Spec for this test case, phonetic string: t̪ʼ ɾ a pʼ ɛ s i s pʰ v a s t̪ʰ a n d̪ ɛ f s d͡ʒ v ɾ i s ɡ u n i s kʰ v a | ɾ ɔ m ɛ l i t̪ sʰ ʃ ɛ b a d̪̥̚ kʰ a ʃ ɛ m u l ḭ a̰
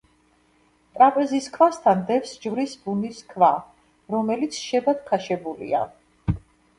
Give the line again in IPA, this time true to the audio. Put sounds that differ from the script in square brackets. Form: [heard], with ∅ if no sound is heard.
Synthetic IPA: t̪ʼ ɾ a pʼ ɛ [z] i s [kʰ] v a s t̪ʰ a n d̪ ɛ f s d͡ʒ v ɾ i s [b] u n i s kʰ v a | ɾ ɔ m ɛ l i t̪ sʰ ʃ ɛ b a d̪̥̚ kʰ a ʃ ɛ [b] u l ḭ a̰